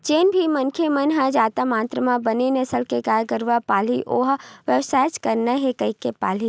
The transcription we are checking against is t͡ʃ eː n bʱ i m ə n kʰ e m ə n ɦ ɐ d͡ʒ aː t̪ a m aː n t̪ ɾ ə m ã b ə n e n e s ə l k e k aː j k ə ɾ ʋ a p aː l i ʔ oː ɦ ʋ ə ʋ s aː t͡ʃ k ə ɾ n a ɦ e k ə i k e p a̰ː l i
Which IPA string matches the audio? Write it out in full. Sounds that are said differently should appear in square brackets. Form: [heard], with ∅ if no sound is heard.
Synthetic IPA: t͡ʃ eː n bʱ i m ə n kʰ e m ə n ɦ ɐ d͡ʒ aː t̪ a m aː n t̪ ɾ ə m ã b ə n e n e s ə l k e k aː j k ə ɾ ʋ a p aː l i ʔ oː ɦ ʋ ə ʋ s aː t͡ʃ k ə ɾ n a ɦ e k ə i k e p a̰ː l i